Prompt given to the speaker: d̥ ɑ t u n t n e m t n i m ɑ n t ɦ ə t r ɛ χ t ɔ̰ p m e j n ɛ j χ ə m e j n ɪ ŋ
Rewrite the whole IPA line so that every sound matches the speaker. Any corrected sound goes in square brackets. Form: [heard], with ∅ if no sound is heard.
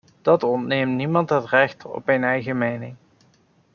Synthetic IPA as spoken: d̥ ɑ t [ɔ] n t n e m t n i m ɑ n t ɦ ə t r ɛ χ t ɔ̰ p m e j n ɛ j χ ə m e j n ɪ ŋ